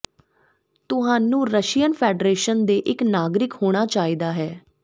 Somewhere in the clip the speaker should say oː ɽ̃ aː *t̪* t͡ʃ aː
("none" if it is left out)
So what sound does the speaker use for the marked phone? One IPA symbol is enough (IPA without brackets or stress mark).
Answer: none